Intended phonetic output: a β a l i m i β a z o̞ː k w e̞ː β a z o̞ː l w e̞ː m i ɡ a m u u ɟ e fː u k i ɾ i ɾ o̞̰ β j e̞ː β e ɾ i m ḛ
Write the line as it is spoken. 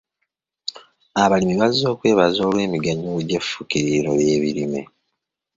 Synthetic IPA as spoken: a β a l i m i β a z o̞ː k w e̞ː β a z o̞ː l w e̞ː m i ɡ a ɲ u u ɟ e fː u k i ɾ i ɾ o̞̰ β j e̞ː β i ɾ i m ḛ